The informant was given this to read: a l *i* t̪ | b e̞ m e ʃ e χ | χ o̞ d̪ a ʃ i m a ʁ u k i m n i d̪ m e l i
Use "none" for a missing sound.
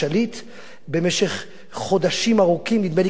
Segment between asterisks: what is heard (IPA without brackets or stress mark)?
i